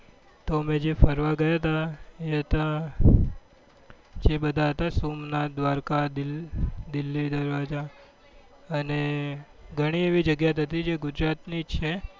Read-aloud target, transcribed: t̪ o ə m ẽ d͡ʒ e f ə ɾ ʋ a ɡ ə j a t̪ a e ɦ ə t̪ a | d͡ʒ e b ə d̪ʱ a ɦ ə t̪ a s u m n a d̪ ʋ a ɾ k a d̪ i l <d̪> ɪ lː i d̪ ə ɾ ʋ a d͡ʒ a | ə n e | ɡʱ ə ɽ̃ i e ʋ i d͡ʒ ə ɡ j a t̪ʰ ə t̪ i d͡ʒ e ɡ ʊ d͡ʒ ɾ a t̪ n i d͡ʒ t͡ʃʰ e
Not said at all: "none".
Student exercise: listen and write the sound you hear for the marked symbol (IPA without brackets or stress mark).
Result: d̪